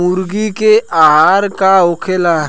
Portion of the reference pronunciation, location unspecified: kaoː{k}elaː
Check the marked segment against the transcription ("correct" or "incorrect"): incorrect